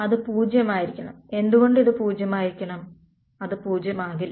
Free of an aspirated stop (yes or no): yes